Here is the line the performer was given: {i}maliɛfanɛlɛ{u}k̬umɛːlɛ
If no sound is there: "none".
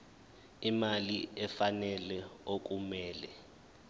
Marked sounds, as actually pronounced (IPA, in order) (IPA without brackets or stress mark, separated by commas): i, o